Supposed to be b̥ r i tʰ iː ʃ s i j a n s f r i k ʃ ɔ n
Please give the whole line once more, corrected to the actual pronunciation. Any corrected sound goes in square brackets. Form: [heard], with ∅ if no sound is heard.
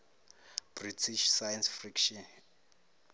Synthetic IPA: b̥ r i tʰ [i] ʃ s [a] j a n s f r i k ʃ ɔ n